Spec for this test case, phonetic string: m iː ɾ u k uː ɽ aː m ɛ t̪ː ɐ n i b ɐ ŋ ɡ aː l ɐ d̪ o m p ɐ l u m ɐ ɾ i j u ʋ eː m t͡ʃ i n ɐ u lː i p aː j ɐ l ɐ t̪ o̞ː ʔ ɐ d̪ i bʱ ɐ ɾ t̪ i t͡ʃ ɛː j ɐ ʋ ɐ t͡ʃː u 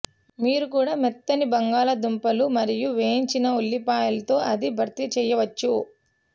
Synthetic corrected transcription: m iː ɾ u k uː ɽ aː m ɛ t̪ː ɐ n i b ɐ ŋ ɡ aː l ɐ d̪ u m p ɐ l u m ɐ ɾ i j u ʋ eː ɲ t͡ʃ i n ɐ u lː i p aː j ɐ l ɐ t̪ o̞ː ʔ ɐ d̪ i bʱ ɐ ɾ t̪ i t͡ʃ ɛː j ɐ ʋ ɐ t͡ʃː u

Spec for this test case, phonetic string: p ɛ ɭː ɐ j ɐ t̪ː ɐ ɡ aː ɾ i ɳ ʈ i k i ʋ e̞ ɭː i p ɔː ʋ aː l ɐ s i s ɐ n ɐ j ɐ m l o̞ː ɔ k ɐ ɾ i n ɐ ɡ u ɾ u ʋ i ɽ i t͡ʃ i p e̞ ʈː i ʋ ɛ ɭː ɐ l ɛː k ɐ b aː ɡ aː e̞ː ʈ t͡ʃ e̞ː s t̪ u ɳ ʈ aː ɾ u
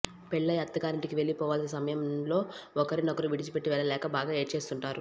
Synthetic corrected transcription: p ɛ ɭː ɐ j ɐ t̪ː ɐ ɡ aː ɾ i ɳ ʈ i k i ʋ e̞ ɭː i p ɔː ʋ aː l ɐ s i s ɐ m ɐ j ɐ m l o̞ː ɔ k ɐ ɾ i n ɐ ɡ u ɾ u ʋ i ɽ i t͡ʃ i p e̞ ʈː i ʋ ɛ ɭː ɐ l ɛː k ɐ b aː ɡ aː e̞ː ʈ t͡ʃ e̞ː s t̪ u ɳ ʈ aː ɾ u

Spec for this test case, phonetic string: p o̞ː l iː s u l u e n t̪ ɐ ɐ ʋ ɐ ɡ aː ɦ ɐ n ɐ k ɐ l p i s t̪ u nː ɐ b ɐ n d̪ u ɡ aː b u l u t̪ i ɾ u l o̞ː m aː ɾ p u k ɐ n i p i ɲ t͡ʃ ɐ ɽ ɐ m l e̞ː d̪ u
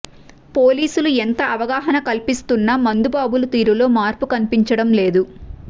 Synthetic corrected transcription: p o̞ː l iː s u l u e n t̪ ɐ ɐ ʋ ɐ ɡ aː ɦ ɐ n ɐ k ɐ l p i s t̪ u nː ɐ m ɐ n d̪ u b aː b u l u t̪ iː ɾ u l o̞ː m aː ɾ p u k ɐ n i p i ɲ t͡ʃ ɐ ɽ ɐ m l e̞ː d̪ u

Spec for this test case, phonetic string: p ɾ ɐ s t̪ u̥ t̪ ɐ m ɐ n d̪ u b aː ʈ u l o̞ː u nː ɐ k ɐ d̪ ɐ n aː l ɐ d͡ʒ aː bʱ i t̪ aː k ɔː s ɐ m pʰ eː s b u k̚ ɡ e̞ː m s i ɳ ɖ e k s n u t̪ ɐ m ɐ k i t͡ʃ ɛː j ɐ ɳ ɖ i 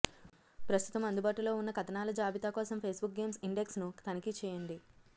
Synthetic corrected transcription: p ɾ ɐ s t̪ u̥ t̪ ɐ m ɐ n d̪ u b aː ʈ u l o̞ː u nː ɐ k ɐ t̪ ɐ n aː l ɐ d͡ʒ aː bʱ i t̪ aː k ɔː s ɐ m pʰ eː s b u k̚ ɡ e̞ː m s i ɳ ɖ e k s n u t̪ ɐ n ɐ k i t͡ʃ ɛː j ɐ ɳ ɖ i

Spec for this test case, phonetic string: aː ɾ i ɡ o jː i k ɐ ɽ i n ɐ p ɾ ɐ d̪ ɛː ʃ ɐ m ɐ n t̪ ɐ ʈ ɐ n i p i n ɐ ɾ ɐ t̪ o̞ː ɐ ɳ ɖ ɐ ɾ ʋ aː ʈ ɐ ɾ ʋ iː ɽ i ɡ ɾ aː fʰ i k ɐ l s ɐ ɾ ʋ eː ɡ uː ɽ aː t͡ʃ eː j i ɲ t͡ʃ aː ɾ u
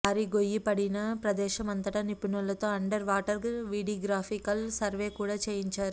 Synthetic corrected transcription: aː ɾ i ɡ o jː i p ɐ ɽ i n ɐ p ɾ ɐ d̪ ɛː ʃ ɐ m ɐ n t̪ ɐ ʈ ɐ n i p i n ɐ l ɐ t̪ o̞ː ɐ ɳ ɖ ɐ ɾ ʋ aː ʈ ɐ ɾ ʋ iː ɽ i ɡ ɾ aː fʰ i k ɐ l s ɐ ɾ ʋ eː k uː ɽ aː t͡ʃ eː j i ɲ t͡ʃ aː ɾ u

